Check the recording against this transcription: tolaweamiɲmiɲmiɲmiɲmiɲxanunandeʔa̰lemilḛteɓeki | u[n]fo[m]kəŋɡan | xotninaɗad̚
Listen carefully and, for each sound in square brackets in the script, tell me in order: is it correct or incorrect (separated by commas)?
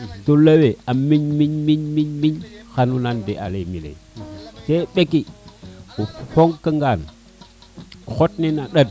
incorrect, incorrect